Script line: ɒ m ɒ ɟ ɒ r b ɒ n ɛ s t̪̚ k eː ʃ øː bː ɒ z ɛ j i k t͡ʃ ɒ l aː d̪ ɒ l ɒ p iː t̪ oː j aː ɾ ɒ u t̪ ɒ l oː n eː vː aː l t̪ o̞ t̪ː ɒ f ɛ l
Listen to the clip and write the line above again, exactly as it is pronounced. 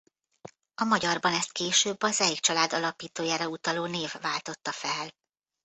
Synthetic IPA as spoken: ɒ m ɒ ɟ ɒ r b ɒ n ɛ s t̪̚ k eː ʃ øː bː ɒ z ɛ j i k t͡ʃ ɒ l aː d̪ ɒ l ɒ p iː t̪ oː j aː ɾ ɒ u t̪ ɒ l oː n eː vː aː l t̪ o̞ t̪ː ɒ f ɛ l